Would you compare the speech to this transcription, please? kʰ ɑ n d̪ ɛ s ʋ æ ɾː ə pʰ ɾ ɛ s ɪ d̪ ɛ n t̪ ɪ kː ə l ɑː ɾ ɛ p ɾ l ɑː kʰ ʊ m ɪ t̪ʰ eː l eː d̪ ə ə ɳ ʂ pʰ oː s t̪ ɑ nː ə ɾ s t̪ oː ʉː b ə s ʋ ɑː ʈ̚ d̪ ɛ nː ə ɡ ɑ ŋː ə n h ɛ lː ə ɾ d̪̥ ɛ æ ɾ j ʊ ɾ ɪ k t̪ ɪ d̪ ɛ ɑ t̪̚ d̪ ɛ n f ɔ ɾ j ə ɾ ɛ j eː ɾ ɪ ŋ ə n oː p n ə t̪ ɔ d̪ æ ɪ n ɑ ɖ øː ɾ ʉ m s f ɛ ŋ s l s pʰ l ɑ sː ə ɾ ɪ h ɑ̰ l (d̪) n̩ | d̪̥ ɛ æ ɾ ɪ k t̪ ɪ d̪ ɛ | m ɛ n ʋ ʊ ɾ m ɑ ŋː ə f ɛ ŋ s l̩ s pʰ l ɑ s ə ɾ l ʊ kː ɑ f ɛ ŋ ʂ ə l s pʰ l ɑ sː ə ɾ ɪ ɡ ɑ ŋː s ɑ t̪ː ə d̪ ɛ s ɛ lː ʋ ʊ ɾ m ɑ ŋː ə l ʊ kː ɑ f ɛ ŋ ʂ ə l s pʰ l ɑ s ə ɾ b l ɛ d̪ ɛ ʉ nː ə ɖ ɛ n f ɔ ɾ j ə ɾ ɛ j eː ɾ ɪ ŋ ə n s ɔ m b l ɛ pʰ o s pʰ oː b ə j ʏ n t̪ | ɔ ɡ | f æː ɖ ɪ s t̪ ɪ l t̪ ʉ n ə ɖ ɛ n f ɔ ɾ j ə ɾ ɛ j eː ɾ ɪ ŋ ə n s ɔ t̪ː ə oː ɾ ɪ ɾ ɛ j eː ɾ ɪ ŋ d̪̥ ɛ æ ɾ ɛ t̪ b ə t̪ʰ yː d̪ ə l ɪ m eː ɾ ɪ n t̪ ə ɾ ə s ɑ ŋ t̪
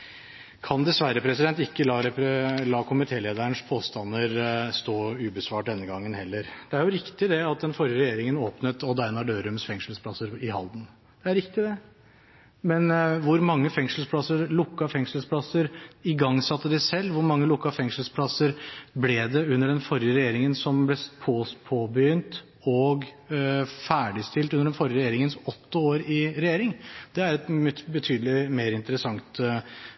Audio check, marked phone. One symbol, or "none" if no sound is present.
d̪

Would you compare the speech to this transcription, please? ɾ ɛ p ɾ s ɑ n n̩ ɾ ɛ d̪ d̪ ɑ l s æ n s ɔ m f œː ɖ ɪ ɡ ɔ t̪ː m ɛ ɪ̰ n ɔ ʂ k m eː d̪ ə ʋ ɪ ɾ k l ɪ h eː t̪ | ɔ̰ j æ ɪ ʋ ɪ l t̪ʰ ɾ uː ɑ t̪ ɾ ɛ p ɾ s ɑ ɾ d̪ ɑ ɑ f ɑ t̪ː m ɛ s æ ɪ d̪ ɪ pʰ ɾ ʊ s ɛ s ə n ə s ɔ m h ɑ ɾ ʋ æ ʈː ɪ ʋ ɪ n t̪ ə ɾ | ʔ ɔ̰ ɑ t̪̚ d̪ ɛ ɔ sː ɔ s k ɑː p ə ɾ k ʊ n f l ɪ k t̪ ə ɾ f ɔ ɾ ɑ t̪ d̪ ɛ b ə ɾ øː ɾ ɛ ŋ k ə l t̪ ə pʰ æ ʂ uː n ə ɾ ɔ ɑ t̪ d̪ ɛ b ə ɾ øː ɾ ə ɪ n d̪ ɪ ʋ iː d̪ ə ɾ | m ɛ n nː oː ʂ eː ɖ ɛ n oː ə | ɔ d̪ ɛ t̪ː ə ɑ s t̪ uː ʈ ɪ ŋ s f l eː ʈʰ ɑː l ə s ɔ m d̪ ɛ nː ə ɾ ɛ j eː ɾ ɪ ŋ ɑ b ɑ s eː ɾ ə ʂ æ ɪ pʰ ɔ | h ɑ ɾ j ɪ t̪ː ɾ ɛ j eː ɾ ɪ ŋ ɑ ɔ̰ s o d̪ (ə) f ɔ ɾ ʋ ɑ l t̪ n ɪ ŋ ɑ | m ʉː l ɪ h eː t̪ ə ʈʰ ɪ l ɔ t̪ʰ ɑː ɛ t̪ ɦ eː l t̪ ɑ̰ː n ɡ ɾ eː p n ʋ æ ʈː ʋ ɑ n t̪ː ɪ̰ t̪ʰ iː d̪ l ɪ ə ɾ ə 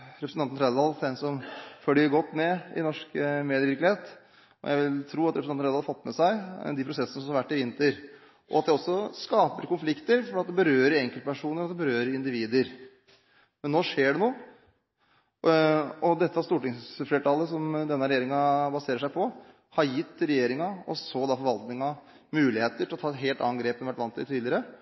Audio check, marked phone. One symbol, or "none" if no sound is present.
ɑ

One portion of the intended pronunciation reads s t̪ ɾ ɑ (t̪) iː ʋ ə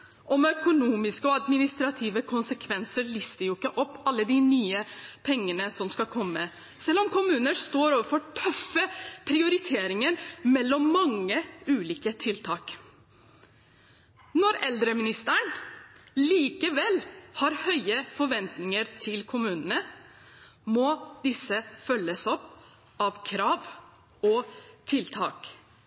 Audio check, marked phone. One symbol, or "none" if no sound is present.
t̪ʰ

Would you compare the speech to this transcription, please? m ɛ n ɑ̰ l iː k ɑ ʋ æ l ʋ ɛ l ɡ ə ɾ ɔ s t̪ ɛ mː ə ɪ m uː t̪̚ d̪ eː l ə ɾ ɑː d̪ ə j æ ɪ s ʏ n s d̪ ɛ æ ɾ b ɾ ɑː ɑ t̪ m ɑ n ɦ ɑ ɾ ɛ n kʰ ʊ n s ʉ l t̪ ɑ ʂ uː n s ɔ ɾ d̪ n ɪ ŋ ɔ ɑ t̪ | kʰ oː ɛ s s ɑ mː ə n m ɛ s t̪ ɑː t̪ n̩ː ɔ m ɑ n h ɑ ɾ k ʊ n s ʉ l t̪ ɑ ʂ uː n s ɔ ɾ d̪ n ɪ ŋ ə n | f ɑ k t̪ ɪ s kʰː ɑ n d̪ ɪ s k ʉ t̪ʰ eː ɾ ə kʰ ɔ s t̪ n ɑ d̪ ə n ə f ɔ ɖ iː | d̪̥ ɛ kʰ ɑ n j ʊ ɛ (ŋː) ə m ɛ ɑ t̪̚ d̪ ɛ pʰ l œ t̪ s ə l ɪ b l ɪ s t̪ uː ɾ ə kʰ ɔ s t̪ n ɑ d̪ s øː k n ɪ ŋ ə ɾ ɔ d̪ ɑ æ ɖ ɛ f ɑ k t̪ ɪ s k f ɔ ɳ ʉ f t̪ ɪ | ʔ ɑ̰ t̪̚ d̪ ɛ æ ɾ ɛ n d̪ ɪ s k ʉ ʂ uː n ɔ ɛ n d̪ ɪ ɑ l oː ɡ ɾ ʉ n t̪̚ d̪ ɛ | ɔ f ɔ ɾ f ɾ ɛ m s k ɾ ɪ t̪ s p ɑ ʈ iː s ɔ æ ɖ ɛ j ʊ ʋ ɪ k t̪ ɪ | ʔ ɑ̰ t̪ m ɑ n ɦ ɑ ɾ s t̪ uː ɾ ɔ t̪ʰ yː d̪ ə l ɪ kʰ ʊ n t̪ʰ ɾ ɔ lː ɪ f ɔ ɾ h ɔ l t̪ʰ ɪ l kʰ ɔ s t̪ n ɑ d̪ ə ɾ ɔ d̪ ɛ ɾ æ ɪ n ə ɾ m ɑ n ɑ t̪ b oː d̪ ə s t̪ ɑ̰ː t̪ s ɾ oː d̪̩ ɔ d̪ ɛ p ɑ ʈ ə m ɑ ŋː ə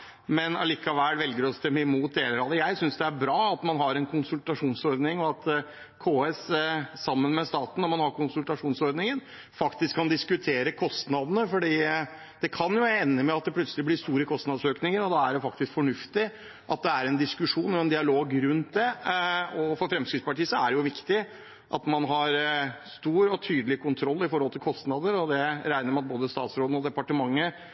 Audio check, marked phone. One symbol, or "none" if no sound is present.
nː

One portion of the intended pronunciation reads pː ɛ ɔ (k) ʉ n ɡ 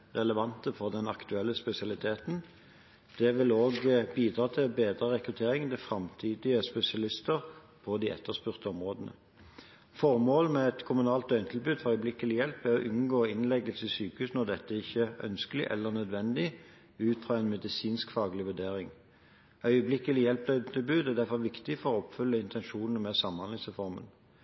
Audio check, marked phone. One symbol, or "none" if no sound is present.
ʔ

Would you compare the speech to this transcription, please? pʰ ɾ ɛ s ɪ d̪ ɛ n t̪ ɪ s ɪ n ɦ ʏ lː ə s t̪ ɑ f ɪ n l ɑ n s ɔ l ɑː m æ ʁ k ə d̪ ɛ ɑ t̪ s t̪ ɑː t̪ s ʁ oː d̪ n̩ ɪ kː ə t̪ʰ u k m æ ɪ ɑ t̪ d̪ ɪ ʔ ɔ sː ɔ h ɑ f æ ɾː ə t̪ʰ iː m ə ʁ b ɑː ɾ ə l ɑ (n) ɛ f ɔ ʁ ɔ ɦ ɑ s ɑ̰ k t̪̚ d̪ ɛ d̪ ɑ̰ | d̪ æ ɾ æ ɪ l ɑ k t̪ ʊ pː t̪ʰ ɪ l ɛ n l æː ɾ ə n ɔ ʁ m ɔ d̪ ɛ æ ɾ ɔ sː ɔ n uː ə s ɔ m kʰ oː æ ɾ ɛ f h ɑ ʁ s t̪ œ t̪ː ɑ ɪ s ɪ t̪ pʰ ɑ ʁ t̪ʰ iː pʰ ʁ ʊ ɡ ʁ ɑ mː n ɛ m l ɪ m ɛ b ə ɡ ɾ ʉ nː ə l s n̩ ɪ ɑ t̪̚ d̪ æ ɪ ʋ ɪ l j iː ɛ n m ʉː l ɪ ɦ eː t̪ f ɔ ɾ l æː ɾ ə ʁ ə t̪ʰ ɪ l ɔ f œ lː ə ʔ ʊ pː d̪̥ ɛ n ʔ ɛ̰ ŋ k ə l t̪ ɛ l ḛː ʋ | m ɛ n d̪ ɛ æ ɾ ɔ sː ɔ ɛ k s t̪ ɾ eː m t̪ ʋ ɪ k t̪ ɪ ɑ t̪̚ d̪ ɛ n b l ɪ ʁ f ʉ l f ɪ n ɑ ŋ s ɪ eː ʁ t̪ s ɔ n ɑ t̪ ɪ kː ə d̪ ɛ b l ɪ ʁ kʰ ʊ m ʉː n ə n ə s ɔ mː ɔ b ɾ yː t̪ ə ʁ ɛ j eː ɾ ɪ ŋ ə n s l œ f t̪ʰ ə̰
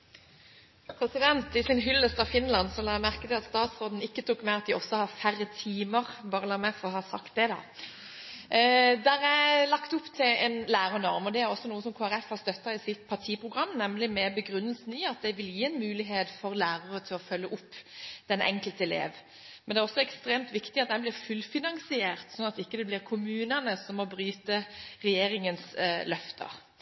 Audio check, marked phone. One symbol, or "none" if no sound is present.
m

